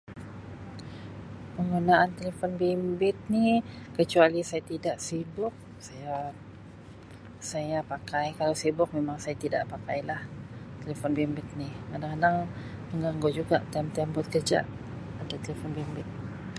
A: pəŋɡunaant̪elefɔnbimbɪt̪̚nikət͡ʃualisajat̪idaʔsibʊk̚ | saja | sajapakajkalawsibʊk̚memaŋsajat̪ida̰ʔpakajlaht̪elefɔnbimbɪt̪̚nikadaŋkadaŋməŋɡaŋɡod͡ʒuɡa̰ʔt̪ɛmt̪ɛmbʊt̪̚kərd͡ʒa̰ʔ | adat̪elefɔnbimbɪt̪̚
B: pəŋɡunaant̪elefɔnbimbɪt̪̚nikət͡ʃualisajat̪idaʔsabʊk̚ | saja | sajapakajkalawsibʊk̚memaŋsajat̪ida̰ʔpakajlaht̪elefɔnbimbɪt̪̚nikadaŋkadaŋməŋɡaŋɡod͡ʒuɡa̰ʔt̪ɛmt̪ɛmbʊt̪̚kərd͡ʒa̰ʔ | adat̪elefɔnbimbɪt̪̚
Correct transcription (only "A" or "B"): A